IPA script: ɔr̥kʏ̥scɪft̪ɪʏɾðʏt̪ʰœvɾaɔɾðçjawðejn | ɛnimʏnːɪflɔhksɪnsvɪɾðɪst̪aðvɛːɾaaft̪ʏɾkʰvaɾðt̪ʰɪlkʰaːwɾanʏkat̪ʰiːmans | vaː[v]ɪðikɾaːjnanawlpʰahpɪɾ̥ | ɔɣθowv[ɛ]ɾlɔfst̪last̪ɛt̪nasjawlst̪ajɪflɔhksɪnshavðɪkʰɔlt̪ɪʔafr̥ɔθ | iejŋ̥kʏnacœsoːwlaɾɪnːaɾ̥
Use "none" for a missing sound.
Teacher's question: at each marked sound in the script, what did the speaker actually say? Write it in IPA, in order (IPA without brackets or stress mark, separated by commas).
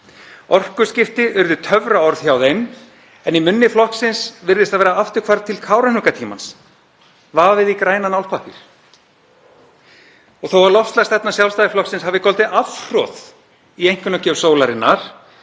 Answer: v, a